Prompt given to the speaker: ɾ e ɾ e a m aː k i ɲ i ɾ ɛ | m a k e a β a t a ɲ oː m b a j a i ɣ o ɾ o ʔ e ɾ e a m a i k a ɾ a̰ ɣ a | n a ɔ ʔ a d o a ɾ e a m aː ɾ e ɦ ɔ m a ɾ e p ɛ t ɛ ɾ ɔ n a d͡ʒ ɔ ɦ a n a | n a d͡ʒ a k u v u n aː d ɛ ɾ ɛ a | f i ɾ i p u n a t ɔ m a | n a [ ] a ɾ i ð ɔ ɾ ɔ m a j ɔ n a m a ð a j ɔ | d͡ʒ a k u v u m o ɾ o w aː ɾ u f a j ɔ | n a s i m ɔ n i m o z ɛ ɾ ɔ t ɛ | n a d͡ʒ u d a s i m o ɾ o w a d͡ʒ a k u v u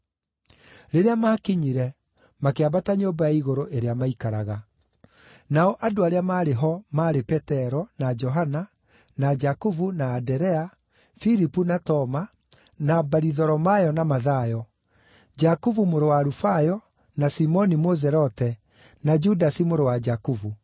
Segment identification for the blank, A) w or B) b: B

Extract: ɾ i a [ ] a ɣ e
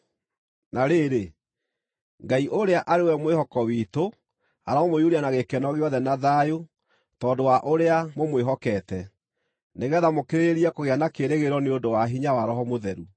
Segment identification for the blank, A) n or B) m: A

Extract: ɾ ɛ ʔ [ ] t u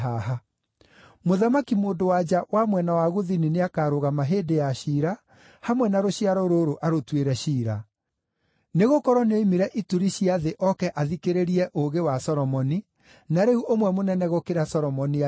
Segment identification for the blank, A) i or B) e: A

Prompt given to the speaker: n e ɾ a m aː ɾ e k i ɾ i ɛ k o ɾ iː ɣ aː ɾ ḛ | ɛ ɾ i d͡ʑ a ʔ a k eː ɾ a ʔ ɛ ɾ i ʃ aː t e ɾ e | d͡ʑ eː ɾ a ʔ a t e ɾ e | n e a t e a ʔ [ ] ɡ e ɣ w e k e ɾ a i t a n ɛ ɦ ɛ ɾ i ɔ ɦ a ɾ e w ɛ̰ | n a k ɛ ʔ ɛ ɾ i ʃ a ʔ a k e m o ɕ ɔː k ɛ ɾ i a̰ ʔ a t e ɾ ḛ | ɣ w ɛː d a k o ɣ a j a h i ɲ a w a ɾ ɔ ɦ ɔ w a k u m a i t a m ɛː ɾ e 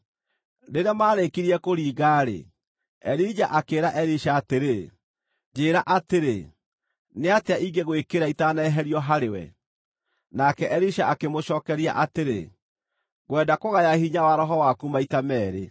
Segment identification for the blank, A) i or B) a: A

